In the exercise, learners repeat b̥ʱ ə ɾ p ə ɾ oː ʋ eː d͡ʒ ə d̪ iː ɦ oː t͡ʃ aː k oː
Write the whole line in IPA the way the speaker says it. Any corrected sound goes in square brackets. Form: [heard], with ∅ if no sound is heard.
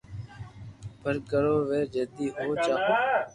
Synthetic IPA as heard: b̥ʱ ə ɾ [k] ə ɾ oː ʋ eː d͡ʒ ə d̪ iː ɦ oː t͡ʃ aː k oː